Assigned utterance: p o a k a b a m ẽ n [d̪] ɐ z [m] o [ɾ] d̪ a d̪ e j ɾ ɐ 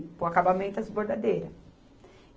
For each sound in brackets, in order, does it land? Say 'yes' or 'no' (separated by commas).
no, no, yes